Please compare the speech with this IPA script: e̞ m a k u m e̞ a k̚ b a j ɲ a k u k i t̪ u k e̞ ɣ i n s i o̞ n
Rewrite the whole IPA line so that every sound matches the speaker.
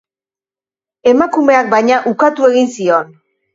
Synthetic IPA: e̞ m a k u m e̞ a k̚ b a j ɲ a ʔ u k a t̪ u e̞ ɣ i n s i o̞ n